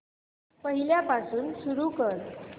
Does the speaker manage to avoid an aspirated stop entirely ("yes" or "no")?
yes